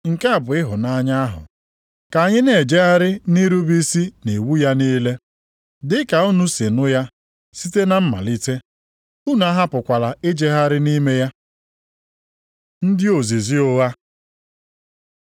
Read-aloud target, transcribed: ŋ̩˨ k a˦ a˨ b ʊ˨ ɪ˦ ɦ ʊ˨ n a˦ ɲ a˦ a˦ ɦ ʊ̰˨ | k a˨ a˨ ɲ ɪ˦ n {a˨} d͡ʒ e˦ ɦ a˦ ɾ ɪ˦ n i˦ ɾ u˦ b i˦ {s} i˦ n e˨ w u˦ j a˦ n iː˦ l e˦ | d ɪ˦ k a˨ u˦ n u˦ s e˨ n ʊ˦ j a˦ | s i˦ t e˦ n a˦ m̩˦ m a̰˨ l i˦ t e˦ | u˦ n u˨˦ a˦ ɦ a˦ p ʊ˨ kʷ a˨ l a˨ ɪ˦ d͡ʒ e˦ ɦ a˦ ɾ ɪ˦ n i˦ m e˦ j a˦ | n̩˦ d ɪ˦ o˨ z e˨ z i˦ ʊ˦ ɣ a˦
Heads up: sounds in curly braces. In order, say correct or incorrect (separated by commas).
incorrect, correct